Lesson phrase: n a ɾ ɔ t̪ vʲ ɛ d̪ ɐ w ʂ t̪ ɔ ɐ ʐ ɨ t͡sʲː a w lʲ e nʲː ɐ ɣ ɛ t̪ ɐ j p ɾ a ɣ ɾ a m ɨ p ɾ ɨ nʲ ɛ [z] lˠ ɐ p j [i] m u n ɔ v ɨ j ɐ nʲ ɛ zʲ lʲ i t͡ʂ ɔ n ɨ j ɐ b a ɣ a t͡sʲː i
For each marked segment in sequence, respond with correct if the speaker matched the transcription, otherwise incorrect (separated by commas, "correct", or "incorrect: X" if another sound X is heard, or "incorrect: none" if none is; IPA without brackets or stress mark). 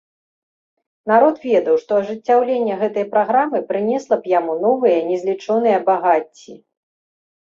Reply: incorrect: s, incorrect: a